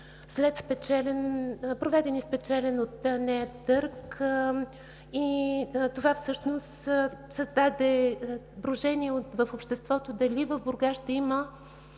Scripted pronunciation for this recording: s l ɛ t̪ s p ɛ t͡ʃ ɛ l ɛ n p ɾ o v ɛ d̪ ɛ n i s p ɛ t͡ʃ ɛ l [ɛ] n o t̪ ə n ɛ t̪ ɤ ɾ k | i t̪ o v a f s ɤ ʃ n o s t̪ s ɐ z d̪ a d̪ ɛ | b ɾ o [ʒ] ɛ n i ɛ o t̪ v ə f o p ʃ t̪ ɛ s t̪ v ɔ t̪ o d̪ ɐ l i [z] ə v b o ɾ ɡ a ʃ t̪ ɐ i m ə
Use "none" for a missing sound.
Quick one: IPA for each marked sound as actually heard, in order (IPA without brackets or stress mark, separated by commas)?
ɛ, ʒ, v